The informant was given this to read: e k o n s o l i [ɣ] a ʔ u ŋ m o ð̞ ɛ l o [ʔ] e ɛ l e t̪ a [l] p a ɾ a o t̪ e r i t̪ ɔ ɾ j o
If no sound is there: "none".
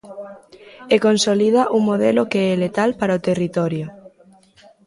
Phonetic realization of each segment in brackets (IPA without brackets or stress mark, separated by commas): ð, k, l